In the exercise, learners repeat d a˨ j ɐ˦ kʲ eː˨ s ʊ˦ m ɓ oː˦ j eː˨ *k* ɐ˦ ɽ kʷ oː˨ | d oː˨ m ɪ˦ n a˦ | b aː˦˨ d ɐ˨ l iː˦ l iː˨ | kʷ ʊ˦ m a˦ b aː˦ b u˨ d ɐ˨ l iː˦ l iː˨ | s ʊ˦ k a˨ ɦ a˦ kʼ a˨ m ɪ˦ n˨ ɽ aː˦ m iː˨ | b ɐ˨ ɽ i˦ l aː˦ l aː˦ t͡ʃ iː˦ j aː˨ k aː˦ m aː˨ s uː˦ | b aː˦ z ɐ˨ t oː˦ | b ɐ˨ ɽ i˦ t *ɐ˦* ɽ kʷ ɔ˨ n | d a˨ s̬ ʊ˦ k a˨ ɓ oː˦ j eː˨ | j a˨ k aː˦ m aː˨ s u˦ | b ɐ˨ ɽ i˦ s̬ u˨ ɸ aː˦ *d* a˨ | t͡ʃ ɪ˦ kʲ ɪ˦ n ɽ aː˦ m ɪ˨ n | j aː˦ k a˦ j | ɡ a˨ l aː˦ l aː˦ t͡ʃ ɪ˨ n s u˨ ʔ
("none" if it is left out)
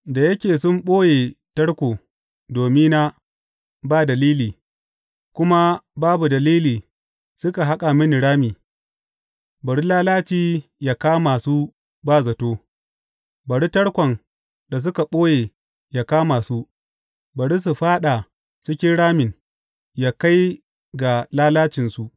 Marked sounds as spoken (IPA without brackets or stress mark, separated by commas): t, ɐ˦, ɗ